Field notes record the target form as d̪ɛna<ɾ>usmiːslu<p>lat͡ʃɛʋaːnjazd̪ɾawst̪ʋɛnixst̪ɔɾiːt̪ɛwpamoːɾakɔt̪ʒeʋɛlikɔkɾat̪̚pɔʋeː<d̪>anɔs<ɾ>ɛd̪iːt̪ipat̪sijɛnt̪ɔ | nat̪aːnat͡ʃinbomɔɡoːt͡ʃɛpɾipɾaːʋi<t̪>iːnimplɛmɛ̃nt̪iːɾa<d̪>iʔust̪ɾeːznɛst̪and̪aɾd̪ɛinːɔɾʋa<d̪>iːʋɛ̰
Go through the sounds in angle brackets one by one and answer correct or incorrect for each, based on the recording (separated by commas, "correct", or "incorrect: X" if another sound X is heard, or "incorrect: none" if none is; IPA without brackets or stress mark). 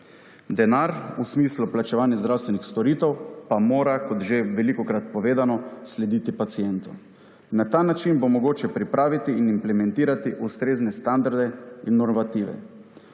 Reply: correct, correct, correct, incorrect: l, correct, incorrect: t̪, incorrect: t̪